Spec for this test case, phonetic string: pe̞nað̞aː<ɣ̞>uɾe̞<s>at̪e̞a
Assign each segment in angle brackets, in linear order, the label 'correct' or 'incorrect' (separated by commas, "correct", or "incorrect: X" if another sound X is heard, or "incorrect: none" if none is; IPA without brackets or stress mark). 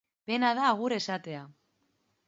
correct, correct